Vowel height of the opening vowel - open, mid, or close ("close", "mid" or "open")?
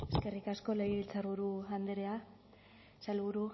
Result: mid